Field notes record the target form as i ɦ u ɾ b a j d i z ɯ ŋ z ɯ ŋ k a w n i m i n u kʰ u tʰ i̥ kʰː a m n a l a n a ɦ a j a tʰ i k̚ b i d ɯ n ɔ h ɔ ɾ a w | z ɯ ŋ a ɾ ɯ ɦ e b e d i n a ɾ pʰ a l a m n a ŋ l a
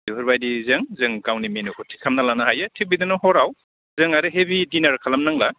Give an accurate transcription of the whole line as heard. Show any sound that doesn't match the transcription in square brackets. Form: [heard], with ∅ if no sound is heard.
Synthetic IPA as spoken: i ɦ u ɾ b a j d i z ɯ ŋ z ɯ ŋ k a w n i m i n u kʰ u tʰ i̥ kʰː a m n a l a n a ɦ a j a tʰ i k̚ b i d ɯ n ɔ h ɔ ɾ a w | z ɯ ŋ a ɾ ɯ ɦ e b [i] d i n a ɾ [kʰ] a l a m n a ŋ l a